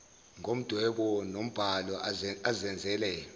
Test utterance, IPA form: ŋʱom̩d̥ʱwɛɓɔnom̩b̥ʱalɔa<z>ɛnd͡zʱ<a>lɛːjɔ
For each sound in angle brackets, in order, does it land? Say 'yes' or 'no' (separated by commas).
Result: yes, no